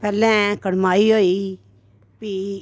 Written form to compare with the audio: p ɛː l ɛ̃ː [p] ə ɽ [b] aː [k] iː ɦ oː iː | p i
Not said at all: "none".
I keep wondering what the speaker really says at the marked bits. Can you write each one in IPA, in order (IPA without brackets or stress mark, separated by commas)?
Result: k, m, none